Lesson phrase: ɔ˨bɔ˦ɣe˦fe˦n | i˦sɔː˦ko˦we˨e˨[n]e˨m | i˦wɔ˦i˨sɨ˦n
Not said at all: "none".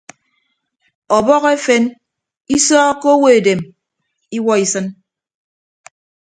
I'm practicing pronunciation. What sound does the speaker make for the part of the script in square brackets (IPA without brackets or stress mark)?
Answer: d